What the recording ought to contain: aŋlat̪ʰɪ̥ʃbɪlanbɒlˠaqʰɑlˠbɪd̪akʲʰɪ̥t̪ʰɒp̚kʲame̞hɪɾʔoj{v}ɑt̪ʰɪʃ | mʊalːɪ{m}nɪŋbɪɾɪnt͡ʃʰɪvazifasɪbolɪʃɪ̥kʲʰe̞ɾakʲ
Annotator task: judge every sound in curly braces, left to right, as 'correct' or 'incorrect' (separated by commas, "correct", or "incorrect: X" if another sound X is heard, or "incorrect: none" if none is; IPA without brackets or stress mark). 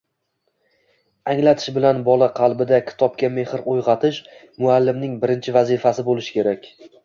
incorrect: ʁ, correct